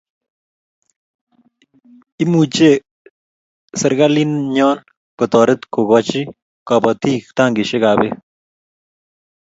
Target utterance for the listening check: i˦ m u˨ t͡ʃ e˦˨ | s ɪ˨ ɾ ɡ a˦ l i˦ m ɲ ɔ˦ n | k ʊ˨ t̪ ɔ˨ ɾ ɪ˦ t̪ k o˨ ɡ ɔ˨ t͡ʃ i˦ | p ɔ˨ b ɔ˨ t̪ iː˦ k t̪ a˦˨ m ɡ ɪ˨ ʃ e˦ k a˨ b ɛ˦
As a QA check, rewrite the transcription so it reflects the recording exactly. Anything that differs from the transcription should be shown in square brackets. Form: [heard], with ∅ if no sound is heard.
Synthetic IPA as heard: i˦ m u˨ t͡ʃ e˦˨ | s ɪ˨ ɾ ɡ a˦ l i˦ [n] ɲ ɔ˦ n | k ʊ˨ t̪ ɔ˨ ɾ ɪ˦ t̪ k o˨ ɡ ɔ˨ t͡ʃ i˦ | [k] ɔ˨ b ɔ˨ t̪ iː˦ k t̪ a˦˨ [ŋ] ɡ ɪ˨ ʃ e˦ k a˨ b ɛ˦